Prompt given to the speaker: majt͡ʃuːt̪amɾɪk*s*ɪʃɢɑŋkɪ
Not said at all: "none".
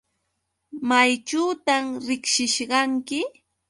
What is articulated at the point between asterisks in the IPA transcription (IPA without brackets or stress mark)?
ʃ